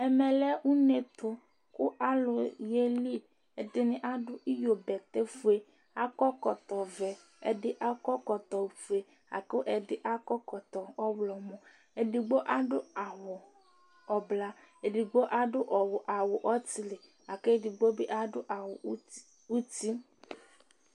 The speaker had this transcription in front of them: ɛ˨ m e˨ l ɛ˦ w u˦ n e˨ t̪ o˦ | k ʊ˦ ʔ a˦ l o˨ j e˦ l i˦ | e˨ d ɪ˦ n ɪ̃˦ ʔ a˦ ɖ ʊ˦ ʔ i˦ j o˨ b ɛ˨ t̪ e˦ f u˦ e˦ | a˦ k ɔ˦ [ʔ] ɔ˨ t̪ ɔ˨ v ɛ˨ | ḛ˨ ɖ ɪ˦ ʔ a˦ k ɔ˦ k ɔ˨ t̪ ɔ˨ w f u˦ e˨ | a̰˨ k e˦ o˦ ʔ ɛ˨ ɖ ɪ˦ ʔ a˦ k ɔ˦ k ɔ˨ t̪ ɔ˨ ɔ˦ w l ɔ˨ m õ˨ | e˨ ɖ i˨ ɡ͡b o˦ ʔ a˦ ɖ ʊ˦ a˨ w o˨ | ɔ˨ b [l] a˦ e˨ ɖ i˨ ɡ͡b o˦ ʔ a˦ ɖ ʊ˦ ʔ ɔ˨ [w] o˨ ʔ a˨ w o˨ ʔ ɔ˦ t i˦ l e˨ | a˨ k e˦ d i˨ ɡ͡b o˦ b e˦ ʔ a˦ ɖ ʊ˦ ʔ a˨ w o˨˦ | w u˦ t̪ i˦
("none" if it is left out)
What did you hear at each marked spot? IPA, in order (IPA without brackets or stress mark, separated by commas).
k, l, w